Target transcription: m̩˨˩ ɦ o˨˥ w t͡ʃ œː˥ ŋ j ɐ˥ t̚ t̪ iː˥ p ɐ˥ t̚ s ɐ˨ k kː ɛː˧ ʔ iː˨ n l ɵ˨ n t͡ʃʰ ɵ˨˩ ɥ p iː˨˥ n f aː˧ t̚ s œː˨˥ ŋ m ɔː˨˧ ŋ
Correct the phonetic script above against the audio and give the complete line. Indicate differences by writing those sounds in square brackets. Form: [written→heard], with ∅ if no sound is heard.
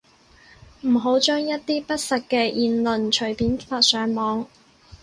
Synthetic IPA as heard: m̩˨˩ ɦ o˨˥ w t͡ʃ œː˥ ŋ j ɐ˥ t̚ t̪ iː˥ p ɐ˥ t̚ s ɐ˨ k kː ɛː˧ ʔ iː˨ n l ɵ˨ n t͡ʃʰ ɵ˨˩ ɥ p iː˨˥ n f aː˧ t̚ s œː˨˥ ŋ m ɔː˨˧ ŋ